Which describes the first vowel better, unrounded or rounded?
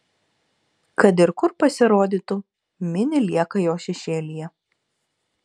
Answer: unrounded